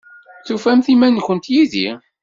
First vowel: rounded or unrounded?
rounded